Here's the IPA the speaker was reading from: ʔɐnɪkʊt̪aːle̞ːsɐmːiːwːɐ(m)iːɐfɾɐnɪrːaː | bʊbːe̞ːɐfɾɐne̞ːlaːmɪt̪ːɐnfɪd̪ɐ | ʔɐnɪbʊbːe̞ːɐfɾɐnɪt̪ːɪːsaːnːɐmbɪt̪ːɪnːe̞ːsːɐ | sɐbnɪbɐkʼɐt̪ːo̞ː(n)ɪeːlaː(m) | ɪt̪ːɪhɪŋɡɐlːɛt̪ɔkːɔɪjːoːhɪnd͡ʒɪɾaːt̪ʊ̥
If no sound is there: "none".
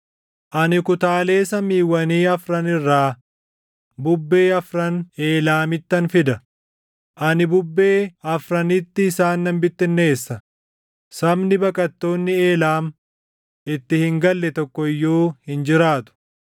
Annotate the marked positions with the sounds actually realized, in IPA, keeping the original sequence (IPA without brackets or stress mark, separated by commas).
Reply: n, nː, m